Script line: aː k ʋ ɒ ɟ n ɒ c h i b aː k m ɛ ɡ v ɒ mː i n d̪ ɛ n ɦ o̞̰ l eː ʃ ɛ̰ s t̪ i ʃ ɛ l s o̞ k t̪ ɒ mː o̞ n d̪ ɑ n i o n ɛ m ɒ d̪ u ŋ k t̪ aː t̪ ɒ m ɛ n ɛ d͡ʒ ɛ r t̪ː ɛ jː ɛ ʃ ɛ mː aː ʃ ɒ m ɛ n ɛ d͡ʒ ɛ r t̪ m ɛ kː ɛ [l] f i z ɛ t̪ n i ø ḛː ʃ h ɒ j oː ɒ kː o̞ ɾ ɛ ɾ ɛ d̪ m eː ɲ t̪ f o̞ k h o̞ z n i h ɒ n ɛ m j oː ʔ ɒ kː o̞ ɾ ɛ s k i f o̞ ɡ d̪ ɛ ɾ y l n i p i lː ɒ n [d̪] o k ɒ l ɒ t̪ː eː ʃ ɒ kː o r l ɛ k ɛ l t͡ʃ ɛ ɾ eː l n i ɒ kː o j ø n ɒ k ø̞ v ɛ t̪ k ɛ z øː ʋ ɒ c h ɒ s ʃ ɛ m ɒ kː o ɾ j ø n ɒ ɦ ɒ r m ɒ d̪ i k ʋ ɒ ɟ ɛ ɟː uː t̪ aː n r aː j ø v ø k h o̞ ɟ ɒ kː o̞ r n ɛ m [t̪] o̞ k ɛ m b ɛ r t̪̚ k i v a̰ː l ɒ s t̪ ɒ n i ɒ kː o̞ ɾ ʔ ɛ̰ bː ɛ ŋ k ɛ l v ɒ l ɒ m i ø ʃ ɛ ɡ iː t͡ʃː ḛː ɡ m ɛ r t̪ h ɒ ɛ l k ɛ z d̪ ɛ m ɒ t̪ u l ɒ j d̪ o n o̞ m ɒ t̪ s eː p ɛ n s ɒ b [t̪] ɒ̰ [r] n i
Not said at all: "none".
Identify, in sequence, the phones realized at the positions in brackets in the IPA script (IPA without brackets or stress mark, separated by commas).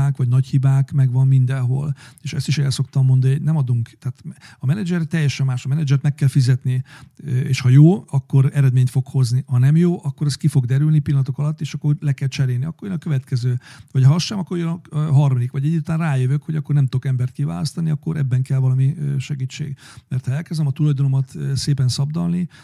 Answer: l, t̪, t̪, d̪, l